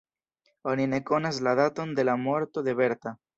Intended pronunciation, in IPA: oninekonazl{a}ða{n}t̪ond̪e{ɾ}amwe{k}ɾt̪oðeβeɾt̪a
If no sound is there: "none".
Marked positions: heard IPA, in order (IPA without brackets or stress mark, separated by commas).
a, none, l, none